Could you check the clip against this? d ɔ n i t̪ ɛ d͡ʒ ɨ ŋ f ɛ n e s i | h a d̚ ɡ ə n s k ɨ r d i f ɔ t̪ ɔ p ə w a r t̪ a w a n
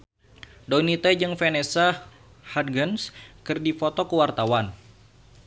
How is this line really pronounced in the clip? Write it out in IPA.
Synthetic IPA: d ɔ n i t̪ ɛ d͡ʒ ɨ ŋ f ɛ n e s a | h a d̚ ɡ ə n s k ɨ r d i f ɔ t̪ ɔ k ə w a r t̪ a w a n